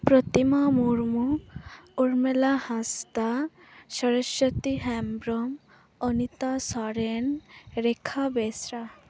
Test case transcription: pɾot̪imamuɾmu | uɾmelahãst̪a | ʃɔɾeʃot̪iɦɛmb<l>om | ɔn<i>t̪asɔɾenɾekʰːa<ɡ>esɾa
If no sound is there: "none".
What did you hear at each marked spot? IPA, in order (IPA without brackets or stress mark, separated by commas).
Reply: ɾ, i, b